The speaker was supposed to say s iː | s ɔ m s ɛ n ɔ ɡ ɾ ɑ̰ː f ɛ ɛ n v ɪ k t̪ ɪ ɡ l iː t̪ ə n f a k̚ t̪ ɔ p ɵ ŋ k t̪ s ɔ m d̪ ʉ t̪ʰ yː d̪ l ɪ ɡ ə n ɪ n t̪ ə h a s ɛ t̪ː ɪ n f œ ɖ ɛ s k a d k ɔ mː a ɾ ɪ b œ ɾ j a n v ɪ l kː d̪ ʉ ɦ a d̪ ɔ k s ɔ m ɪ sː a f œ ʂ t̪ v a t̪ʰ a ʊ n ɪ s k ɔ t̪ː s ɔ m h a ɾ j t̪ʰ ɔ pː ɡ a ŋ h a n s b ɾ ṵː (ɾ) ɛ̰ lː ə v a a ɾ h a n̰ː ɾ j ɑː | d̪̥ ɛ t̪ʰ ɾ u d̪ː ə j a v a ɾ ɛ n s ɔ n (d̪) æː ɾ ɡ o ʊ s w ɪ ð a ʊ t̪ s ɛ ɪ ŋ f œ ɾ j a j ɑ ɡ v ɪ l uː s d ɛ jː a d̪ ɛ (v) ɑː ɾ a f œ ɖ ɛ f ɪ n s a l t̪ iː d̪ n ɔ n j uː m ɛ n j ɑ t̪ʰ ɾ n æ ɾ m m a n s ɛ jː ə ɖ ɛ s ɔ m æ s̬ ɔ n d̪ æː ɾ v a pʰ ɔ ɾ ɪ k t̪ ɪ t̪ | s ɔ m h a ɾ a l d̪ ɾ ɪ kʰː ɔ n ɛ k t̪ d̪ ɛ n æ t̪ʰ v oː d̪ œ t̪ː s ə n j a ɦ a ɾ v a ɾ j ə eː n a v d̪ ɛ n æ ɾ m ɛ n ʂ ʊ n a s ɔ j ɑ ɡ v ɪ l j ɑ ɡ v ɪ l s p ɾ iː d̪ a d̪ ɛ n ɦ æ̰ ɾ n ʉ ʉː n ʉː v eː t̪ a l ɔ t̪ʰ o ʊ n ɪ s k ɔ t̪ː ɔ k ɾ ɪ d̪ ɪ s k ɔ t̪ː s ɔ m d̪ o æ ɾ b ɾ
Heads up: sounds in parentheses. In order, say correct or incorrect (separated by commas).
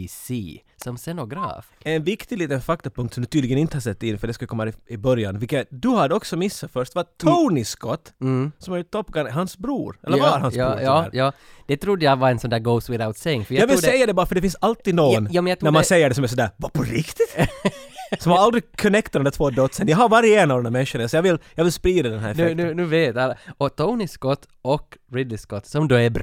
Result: correct, correct, incorrect